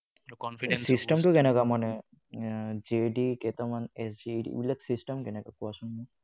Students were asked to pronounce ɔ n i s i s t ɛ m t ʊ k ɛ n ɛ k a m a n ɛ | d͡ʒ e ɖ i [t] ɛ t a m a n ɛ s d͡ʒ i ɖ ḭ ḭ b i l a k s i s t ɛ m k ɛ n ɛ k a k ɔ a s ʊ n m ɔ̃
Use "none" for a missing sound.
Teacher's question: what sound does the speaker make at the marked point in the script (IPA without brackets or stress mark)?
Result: k